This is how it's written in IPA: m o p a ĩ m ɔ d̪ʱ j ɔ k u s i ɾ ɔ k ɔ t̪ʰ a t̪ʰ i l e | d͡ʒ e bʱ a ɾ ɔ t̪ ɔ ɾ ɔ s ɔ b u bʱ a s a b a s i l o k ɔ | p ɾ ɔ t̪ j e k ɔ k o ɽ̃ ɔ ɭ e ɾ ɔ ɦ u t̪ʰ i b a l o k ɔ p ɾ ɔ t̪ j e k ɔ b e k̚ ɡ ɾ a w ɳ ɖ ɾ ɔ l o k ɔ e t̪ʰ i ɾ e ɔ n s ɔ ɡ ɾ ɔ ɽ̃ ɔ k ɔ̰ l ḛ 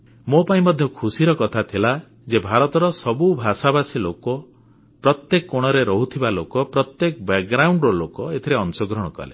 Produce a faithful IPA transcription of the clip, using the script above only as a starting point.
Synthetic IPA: m o p a ĩ m ɔ d̪ʱ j ɔ kʰ u s i ɾ ɔ k ɔ t̪ʰ a t̪ʰ i l a | d͡ʒ e bʱ a ɾ ɔ t̪ ɔ ɾ ɔ s ɔ b u bʱ a s a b a s i l o k ɔ | p ɾ ɔ t̪ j e k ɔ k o ɽ̃ ɔ ɾ e ɾ ɔ ɦ u t̪ʰ i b a l o k ɔ p ɾ ɔ t̪ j e k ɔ b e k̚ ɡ ɾ a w ɳ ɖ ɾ ɔ l o k ɔ e t̪ʰ i ɾ e ɔ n s ɔ ɡ ɾ ɔ ɽ̃ ɔ k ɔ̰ l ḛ